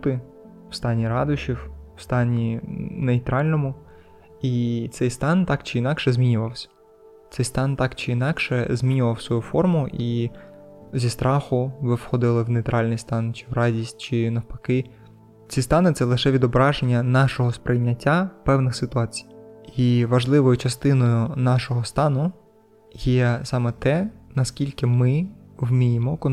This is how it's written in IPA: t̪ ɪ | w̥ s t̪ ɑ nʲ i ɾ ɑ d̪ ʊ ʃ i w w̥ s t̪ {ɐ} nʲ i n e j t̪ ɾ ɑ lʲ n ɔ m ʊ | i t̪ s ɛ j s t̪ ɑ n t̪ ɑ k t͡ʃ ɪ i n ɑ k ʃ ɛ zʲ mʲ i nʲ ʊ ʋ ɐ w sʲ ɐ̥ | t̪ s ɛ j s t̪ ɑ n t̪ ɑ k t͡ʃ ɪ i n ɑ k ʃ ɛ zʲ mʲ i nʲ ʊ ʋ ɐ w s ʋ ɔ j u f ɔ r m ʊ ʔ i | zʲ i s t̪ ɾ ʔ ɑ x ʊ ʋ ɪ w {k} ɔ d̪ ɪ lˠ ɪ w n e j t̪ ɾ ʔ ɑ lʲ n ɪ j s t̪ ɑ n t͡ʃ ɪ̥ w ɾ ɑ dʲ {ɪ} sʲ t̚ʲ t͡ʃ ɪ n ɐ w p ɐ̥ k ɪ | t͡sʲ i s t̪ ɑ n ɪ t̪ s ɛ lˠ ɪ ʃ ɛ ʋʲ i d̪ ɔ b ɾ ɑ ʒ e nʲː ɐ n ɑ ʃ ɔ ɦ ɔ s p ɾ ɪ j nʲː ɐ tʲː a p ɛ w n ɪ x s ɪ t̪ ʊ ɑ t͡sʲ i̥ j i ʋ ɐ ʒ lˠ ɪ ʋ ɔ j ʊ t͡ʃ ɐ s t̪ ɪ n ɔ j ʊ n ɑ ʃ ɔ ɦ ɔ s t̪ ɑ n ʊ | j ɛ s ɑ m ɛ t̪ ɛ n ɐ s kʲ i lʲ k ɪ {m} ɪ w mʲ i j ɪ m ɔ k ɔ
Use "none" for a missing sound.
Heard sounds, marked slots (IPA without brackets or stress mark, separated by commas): ɑ, x, i, m